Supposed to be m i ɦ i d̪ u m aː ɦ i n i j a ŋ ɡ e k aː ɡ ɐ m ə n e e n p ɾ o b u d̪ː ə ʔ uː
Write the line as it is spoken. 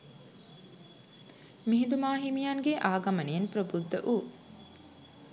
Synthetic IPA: m i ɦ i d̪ u m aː ɦ i m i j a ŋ ɡ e ʔ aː ɡ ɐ m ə n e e n p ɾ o b u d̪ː ə ʔ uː